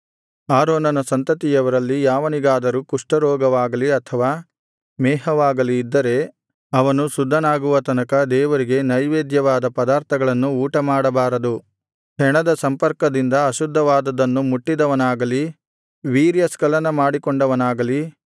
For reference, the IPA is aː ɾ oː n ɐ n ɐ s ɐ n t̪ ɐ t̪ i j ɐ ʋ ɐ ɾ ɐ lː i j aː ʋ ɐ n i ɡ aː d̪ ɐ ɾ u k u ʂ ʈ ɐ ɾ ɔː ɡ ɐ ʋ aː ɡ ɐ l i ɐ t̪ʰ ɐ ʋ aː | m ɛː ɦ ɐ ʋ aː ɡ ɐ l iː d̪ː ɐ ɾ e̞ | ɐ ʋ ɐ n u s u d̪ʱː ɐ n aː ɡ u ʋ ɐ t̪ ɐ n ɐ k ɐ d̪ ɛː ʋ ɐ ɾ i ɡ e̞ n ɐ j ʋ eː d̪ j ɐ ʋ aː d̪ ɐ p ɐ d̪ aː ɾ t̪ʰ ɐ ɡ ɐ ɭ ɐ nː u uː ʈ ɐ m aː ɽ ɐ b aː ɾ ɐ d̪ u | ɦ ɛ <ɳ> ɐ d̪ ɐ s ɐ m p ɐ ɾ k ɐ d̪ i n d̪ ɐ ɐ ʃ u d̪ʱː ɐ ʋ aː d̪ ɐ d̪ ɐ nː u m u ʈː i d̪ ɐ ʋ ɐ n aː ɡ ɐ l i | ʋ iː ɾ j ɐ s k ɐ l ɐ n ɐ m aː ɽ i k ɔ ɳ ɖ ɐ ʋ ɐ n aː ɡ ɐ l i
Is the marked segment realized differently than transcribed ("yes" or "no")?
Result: no